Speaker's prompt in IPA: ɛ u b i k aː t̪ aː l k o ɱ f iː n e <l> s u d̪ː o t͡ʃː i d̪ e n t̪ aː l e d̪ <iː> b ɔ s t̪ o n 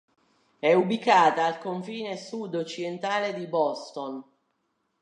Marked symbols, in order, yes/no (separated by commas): no, no